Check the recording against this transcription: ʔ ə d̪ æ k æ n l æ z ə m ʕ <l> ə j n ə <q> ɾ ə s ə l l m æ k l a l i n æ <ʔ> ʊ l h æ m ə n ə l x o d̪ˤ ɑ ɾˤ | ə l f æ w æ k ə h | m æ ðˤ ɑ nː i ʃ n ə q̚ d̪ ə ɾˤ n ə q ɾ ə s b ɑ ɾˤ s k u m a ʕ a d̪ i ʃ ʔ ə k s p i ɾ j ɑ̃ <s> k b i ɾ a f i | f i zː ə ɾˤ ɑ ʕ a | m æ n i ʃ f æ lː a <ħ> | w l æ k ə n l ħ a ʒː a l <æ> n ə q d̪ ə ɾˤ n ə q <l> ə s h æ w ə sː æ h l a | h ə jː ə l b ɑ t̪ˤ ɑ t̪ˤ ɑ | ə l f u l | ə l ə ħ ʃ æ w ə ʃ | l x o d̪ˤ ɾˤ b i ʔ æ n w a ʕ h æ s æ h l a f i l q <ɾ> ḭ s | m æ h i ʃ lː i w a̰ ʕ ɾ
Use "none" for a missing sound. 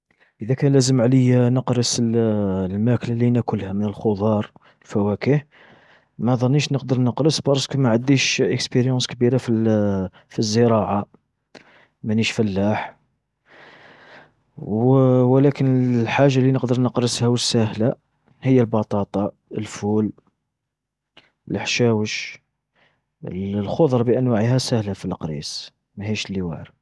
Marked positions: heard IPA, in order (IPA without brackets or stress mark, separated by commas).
l, q, k, s, ħ, i, ɾ, ɾ